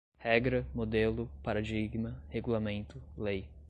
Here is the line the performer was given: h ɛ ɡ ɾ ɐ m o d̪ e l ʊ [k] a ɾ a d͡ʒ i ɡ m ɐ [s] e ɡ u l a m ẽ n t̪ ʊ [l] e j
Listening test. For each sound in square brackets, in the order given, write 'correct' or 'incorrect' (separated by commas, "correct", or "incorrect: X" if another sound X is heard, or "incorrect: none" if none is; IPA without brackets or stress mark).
incorrect: p, incorrect: h, correct